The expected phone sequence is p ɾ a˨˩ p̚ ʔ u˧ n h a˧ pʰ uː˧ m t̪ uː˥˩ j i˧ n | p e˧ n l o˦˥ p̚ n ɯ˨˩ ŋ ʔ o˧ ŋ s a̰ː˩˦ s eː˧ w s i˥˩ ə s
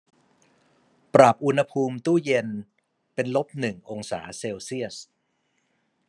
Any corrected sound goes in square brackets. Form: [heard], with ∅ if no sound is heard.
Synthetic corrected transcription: p ɾ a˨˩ p̚ ʔ u˧ n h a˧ pʰ uː˧ m t̪ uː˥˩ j [e˧] n | p e˧ n l o˦˥ p̚ n ɯ˨˩ ŋ ʔ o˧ ŋ s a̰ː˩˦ s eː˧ w s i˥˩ ə s